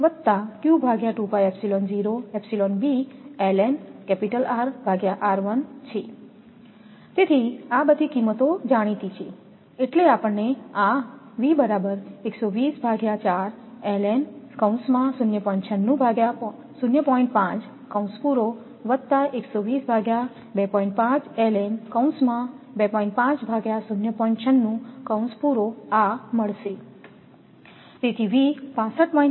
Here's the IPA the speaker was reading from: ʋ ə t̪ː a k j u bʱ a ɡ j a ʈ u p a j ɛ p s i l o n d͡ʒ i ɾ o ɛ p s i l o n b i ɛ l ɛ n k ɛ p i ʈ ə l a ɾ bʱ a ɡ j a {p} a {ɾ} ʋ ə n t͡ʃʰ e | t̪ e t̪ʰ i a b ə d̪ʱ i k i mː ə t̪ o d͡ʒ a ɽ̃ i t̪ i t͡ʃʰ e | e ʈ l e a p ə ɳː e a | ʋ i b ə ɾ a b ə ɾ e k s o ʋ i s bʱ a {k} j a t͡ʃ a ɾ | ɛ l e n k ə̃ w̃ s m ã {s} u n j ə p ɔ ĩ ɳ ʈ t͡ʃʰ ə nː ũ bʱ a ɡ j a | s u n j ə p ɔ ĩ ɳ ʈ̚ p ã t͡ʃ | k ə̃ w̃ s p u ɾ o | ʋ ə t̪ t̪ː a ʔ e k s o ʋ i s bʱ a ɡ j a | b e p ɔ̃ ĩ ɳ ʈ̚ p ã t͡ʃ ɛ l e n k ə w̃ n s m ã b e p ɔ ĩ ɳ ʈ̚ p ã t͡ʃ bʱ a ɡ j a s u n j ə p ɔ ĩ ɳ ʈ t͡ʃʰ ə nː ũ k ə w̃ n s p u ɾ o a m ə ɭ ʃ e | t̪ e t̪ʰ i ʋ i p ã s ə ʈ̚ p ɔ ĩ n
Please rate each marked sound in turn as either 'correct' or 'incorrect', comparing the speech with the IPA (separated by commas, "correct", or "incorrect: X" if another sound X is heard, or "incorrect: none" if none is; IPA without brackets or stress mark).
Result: incorrect: ʔ, correct, incorrect: ɡ, correct